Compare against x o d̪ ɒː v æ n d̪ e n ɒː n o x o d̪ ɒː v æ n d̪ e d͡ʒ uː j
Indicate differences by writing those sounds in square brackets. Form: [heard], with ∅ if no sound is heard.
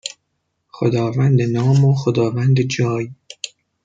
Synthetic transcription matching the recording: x o d̪ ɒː v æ n d̪ e n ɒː [m] o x o d̪ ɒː v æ n d̪ e d͡ʒ [ɒː] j